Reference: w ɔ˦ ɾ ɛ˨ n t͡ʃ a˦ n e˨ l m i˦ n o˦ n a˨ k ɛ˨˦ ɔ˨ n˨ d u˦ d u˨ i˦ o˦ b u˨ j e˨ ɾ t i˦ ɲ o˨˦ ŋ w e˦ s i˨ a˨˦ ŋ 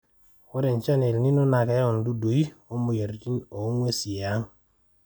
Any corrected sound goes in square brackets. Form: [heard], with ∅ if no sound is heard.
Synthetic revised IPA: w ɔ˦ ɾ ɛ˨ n t͡ʃ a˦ n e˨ l [n] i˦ n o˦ n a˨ k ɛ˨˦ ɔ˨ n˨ d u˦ d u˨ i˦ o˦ [m] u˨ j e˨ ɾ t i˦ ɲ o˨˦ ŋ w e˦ s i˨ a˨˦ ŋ